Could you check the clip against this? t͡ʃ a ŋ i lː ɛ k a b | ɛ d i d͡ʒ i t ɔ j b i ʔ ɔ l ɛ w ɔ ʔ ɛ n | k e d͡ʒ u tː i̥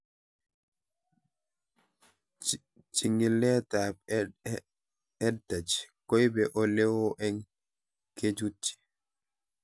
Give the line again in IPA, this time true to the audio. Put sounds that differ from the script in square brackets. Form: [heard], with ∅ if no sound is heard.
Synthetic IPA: t͡ʃ [i] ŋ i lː ɛ [t] a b | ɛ d [a] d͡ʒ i [k] ɔ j b [ɛ] ʔ ɔ l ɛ w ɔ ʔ ɛ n | k e d͡ʒ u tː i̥